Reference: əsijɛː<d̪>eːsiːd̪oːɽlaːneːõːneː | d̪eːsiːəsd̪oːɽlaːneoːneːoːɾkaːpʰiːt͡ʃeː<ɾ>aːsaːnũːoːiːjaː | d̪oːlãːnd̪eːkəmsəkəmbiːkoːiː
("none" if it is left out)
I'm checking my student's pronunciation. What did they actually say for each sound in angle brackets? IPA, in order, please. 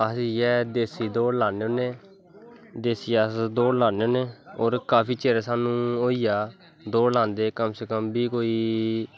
d̪, ɾ

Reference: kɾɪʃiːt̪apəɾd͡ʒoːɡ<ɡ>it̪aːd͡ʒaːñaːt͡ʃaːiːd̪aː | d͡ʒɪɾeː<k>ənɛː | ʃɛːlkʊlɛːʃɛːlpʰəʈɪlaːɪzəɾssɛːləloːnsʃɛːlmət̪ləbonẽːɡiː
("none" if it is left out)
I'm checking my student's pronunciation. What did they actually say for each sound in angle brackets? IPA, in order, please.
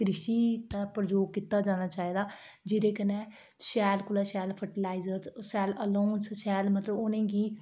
k, k

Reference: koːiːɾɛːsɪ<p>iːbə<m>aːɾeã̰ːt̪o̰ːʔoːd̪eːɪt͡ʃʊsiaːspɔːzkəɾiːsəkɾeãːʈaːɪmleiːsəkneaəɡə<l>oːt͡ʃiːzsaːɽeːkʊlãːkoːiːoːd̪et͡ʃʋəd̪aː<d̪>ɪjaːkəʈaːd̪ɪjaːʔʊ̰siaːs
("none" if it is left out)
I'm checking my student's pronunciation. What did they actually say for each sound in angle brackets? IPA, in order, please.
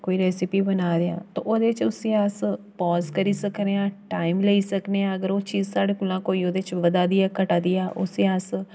p, n, ɾ, d̪

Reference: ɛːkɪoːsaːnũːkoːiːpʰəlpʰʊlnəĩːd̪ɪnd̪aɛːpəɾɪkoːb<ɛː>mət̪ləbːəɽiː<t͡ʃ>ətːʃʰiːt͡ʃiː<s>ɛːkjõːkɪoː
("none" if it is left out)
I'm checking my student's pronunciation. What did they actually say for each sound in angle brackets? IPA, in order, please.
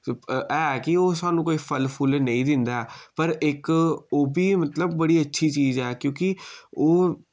iː, none, z

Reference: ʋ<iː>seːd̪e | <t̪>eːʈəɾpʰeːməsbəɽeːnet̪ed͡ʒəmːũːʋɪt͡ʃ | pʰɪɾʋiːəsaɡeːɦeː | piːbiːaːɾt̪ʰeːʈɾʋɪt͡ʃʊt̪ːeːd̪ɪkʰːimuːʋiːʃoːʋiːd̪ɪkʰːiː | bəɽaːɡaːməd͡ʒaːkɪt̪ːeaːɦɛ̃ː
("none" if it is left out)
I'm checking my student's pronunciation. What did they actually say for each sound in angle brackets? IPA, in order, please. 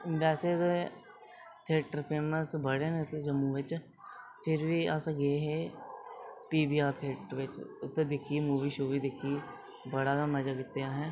ɛː, t̪ʰ

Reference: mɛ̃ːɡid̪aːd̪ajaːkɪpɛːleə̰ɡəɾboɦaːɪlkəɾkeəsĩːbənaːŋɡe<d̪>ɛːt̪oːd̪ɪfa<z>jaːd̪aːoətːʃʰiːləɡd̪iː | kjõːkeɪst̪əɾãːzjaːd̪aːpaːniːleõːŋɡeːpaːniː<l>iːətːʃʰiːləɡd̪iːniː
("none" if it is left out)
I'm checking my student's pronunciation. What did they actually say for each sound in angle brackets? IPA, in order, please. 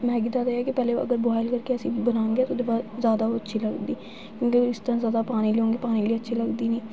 none, z, l

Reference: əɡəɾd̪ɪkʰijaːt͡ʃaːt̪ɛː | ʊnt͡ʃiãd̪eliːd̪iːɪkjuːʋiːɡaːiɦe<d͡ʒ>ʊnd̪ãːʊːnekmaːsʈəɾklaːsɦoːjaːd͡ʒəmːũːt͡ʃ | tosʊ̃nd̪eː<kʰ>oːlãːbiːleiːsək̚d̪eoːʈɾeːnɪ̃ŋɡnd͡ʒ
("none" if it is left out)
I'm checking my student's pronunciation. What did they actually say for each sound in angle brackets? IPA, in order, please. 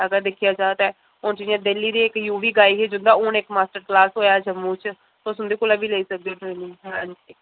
d͡ʒ, k

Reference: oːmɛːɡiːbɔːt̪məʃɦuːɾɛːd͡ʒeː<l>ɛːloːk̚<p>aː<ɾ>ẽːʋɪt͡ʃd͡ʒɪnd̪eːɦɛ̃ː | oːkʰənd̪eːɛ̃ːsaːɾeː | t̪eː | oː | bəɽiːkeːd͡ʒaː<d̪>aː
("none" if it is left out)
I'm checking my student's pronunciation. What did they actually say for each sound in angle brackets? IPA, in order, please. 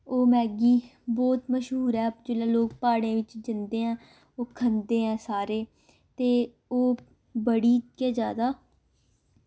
l, p, ɽ, d̪

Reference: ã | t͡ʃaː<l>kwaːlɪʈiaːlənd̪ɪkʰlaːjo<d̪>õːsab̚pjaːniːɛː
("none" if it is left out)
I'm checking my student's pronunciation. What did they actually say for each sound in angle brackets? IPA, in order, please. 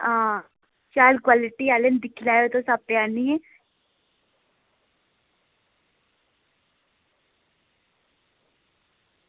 l, t̪

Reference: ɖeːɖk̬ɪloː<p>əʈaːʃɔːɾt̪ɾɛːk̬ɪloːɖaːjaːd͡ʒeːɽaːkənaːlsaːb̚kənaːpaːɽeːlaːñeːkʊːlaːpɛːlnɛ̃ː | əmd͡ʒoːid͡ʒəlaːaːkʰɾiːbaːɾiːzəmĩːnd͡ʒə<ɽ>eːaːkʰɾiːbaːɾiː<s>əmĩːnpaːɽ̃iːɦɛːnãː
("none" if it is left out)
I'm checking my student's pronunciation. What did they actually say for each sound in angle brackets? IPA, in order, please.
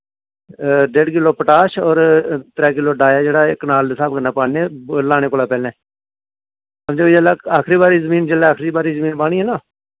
p, l, z

